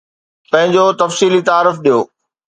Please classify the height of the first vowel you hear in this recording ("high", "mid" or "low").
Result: low